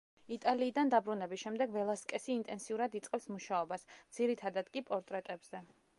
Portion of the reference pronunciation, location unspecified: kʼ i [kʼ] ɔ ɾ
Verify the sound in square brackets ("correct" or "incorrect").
incorrect